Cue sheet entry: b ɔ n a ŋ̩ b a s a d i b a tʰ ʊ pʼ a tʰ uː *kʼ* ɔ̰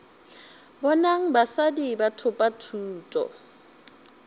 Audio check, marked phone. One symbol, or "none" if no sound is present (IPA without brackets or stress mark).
tʼ